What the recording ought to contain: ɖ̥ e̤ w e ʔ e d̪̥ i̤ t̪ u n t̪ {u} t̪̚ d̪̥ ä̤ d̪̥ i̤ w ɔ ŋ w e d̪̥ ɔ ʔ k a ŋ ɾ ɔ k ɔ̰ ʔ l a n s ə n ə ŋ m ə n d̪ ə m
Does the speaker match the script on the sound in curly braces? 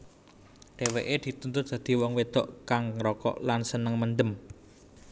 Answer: no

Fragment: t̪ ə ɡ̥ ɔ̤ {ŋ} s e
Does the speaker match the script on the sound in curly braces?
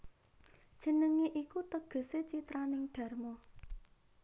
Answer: no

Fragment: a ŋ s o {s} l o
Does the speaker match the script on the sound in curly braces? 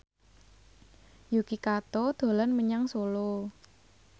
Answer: no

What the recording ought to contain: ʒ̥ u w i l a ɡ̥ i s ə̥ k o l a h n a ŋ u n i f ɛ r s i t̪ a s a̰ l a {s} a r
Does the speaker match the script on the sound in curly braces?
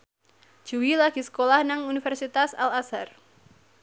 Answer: yes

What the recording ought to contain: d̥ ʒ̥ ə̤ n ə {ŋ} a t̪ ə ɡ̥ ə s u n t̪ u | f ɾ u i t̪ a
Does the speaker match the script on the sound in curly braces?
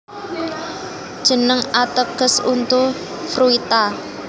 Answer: yes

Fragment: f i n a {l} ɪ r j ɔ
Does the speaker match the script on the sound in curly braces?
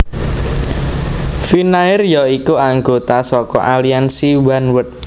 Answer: no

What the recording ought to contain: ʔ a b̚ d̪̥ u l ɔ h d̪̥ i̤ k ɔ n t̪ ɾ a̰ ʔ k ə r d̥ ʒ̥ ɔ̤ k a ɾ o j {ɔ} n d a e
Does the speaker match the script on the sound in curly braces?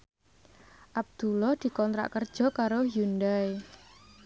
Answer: no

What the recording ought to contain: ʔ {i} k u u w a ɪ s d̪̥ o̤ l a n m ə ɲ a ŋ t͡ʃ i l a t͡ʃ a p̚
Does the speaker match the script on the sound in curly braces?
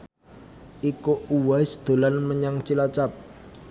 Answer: yes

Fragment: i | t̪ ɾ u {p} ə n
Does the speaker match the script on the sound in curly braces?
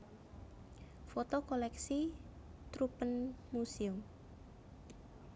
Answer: yes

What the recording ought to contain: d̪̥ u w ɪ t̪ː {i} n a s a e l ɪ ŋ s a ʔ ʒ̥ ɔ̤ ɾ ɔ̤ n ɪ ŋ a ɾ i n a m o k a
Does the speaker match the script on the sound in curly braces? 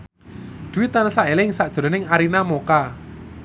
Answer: no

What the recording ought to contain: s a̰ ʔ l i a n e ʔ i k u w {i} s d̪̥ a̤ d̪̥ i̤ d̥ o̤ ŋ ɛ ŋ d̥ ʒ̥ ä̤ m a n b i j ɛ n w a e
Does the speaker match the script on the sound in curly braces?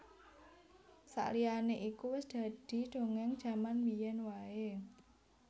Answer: no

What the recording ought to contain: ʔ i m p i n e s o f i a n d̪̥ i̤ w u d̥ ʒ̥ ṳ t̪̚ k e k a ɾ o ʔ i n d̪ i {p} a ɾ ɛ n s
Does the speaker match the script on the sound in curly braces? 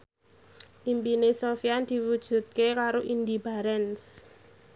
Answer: no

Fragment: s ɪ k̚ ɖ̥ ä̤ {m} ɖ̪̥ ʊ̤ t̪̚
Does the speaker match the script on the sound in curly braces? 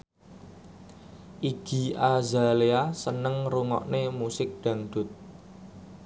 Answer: no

